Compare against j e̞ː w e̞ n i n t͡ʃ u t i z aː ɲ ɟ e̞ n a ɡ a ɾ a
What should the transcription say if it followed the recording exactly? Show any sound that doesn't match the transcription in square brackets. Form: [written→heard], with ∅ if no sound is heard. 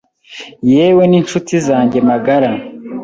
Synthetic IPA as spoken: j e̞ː w e̞ n i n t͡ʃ u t i z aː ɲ ɟ e̞ [n→m] a ɡ a ɾ a

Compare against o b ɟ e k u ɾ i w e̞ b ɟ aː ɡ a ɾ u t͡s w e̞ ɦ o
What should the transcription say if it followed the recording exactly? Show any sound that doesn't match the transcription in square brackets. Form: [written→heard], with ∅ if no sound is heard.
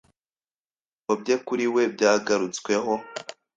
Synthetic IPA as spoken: o b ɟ e k u ɾ i w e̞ b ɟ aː ɡ a ɾ u t͡s w e̞ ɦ o

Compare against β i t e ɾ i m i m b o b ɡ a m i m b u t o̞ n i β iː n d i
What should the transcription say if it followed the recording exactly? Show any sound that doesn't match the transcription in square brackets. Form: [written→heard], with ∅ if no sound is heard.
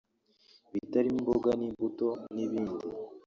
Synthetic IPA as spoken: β i t [e→a] ɾ i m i m b o [b→∅] ɡ a [m→n] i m b u t o̞ n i β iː n d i

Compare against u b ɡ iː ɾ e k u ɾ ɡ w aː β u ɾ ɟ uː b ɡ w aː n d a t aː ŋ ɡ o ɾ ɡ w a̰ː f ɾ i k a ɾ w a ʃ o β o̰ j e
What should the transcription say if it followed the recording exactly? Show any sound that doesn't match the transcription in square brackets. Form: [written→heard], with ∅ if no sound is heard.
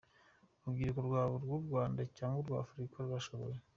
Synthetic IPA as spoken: u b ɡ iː ɾ e k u ɾ ɡ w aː β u ɾ [ɟ→ɡ] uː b ɡ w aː n d a [t→c] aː ŋ ɡ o ɾ ɡ w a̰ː f ɾ i k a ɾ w a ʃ o β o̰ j e

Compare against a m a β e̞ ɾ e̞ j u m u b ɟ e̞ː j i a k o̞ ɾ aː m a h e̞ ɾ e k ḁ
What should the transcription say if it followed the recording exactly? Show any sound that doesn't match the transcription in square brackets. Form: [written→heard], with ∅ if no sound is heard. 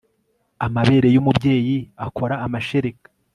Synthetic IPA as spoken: a m a β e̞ ɾ e̞ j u m u b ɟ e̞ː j i a k o̞ ɾ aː m a [h→ʃ] e̞ ɾ e k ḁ

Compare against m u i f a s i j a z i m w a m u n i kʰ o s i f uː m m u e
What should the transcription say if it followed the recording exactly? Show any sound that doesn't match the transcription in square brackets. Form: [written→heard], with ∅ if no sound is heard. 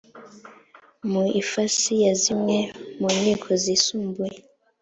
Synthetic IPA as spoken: m u i f a s i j a z i m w [a→e] m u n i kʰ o [s→z] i [f→s] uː m [m→b] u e

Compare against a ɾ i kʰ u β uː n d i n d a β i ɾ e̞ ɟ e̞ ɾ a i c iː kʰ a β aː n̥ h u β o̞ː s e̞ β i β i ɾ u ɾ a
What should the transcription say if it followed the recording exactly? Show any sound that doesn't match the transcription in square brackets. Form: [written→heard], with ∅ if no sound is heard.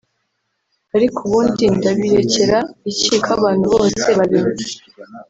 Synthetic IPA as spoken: a ɾ i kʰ u β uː n d i n d a β i ɾ e̞ [ɟ→c] e̞ ɾ a i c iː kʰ a β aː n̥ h u β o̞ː s e̞ β [i→a] β i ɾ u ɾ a

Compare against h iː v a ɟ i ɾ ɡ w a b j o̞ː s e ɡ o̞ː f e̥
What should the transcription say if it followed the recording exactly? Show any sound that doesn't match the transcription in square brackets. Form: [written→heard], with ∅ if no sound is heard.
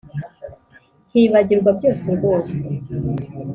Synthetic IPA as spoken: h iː [v→β] a ɟ i ɾ ɡ w a b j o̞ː s e ɡ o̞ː [f→s] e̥

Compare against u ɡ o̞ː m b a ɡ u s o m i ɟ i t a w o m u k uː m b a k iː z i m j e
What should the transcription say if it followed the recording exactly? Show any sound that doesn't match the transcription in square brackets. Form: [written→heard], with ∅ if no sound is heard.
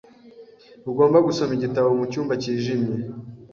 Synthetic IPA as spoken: u ɡ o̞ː m b a ɡ u s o m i ɟ i t a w o m u [k→c] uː m b a [k→c] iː [z→ʒ] i m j e

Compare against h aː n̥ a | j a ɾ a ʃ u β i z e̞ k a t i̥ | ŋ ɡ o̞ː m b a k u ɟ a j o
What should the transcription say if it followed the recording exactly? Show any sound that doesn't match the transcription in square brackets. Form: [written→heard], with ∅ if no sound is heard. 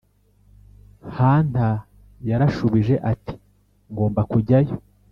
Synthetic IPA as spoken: h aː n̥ a | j a ɾ a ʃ u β i [z→ʒ] e̞ [k→ʔ] a t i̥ | ŋ ɡ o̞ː m b a k u ɟ a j o

